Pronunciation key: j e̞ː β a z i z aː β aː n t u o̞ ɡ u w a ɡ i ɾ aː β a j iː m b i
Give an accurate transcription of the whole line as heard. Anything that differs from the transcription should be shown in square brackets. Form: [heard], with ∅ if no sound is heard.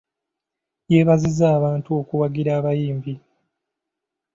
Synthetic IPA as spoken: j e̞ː β a z i z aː β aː n t u o̞ [k] u w a ɡ i ɾ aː β a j iː m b i